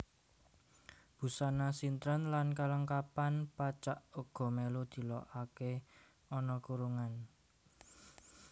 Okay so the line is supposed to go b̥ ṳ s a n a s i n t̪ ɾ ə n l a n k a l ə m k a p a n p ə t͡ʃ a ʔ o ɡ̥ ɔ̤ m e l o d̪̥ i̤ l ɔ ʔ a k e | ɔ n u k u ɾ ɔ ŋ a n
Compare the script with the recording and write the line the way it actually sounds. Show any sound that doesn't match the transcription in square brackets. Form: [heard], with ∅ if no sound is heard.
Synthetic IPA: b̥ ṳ s a n a s i n t̪ ɾ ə n l a n k a l ə [ŋ] k a p a n p [a] t͡ʃ a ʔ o ɡ̥ ɔ̤ m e l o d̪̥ i̤ l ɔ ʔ a k e | ɔ n [ɔ] k u ɾ [u] ŋ a n